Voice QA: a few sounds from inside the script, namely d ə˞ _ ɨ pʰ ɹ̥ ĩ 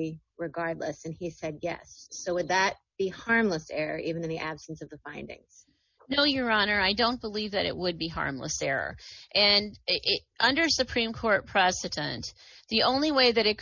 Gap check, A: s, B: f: A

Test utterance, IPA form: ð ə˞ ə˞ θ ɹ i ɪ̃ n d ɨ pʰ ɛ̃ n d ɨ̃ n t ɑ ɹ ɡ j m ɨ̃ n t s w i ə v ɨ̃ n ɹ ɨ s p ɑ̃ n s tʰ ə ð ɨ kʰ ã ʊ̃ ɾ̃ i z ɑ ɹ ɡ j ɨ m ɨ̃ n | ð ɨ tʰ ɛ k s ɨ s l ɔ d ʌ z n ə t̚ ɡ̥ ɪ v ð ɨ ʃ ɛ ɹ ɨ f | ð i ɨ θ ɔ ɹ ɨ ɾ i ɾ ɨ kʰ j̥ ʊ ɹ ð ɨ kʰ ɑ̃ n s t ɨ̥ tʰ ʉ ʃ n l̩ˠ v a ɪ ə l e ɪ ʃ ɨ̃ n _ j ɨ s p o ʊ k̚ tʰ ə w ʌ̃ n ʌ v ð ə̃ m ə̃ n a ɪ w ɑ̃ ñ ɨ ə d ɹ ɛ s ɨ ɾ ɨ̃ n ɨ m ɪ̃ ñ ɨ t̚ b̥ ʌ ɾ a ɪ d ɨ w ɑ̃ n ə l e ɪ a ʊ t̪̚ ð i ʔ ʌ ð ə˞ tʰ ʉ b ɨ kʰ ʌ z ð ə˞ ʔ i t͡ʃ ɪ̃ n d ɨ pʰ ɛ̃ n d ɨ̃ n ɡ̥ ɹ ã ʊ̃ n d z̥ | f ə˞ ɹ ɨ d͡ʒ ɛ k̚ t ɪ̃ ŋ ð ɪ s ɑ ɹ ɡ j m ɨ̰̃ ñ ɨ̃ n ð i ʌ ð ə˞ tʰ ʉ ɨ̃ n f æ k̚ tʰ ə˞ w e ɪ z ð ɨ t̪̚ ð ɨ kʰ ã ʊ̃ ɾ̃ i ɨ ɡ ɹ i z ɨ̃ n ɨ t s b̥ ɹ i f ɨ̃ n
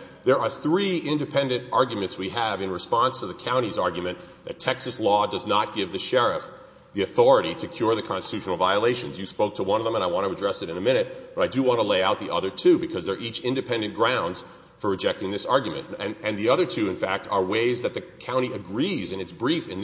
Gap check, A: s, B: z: B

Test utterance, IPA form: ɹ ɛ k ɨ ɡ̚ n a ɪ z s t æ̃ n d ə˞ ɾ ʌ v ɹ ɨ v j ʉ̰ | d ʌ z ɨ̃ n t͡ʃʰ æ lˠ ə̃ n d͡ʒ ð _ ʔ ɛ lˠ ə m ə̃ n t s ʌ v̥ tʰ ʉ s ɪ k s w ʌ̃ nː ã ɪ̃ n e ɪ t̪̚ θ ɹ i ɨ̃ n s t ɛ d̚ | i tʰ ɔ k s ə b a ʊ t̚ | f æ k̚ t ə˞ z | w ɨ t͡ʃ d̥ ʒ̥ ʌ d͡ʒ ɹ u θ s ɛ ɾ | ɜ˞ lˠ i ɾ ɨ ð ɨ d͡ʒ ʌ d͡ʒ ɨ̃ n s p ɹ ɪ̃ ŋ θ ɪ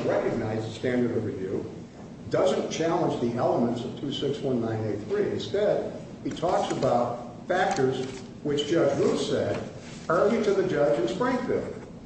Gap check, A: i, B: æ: A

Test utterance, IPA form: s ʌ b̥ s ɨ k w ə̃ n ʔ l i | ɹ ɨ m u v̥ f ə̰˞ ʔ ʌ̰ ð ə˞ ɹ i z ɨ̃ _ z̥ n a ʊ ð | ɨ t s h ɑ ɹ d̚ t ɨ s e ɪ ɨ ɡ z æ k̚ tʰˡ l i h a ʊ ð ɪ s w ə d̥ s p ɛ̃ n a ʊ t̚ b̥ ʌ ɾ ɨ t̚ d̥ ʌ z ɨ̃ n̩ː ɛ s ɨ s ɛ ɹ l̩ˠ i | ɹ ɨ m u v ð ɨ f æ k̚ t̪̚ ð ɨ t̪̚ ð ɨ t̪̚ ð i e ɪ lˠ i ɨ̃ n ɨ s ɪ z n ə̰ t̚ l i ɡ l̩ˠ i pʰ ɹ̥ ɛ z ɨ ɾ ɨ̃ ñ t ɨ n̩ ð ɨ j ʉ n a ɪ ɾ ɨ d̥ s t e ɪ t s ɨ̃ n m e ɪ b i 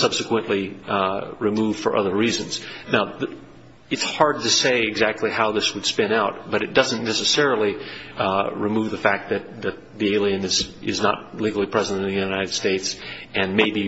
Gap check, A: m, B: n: B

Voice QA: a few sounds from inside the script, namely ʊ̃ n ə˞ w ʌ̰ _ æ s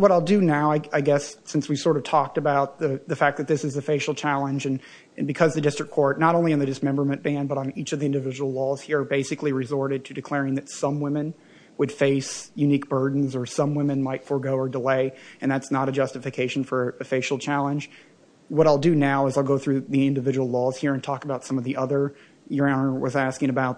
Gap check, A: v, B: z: B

